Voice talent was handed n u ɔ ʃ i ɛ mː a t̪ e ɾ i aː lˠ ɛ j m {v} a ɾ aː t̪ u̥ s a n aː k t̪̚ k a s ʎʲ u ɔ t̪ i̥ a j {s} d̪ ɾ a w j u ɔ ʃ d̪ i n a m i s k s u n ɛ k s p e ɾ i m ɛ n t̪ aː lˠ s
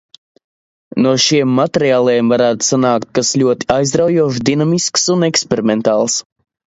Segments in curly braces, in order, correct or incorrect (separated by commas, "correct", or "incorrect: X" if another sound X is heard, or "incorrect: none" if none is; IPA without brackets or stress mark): correct, incorrect: z